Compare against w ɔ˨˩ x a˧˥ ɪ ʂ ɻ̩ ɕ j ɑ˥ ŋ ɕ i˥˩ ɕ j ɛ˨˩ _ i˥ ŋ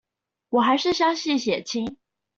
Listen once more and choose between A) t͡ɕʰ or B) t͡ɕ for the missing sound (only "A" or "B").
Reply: A